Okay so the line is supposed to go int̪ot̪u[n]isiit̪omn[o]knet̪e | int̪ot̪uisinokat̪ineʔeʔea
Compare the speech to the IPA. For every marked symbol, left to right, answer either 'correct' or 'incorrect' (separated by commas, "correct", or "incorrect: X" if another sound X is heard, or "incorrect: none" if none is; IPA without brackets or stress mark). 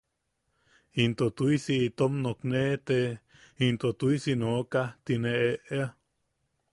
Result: incorrect: none, correct